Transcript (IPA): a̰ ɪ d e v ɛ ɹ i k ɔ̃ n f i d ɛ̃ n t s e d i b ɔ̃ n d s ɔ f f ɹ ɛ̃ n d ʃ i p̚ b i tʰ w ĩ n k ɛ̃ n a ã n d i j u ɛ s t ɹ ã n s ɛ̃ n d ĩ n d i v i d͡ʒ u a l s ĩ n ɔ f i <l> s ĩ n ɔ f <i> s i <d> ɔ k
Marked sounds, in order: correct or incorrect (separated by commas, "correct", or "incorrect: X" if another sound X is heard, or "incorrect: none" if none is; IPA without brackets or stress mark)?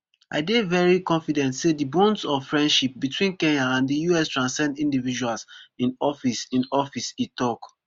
incorrect: none, correct, incorrect: t